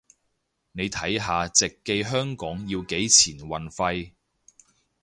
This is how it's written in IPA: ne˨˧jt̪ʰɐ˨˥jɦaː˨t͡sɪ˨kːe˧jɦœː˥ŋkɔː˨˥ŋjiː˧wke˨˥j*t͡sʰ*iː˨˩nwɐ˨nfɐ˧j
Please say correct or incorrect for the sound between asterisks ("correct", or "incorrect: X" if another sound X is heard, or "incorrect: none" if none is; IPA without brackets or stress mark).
correct